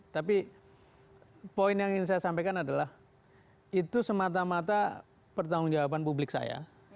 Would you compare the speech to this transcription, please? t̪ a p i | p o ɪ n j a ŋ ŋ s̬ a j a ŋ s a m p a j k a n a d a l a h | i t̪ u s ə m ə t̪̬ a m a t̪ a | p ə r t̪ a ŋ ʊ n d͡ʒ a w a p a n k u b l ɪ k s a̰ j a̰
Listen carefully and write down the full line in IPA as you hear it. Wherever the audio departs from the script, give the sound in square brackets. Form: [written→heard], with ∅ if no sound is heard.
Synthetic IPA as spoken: t̪ a p i | p o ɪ n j a ŋ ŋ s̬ a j a [ŋ→∅] s a m p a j k a n a d a l a h | i t̪ u s ə m [ə→a] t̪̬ a m a t̪ a | p ə r t̪ a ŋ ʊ [n→ŋ] d͡ʒ a w a p a n [k→p] u b l ɪ k s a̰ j a̰